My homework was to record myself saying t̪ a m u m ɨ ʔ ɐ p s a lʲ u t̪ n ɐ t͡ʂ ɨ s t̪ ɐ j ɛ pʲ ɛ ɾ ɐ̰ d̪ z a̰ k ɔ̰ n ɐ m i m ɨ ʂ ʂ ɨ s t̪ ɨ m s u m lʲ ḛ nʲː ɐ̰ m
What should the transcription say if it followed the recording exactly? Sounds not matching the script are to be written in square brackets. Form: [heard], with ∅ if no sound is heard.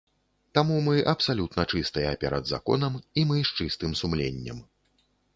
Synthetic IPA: t̪ a m u m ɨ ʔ ɐ p s a lʲ u t̪ n ɐ t͡ʂ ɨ s t̪ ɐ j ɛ pʲ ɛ ɾ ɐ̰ d̪ z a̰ k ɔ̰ n ɐ m i m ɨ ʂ [t͡ʂ] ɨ s t̪ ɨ m s u m lʲ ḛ nʲː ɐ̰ m